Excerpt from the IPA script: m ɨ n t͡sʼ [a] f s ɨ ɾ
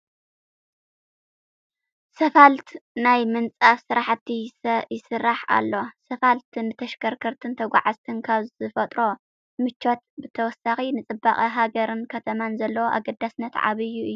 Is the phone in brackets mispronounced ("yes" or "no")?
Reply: no